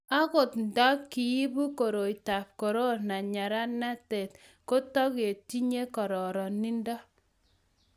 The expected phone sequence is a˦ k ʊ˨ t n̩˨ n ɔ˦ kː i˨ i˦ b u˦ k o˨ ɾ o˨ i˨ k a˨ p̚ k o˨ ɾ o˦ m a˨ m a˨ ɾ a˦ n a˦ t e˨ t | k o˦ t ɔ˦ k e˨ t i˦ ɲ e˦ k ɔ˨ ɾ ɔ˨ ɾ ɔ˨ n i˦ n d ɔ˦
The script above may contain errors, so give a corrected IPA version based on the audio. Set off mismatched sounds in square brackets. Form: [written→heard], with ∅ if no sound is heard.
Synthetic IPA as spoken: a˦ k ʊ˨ t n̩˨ [n→d] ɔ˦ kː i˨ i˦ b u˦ k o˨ ɾ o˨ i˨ [k→t] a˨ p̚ k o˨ ɾ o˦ [m→n] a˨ [m→ɲ] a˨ ɾ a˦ n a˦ t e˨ t | k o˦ t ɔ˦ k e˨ t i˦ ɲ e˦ k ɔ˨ ɾ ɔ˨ ɾ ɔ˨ n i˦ n d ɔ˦